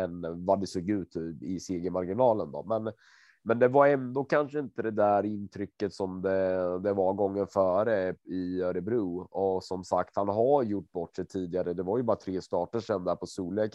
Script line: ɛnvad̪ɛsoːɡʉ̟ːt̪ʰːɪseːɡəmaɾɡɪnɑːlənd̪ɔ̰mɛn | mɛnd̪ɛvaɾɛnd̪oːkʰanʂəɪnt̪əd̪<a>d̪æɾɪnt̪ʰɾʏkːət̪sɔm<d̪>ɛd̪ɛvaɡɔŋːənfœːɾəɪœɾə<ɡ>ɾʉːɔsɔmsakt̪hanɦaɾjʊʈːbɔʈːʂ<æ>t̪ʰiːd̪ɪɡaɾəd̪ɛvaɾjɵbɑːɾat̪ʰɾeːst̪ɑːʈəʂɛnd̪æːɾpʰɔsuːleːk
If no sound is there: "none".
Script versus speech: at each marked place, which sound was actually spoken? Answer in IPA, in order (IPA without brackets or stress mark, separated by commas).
ɛ, d̪, b, ɛ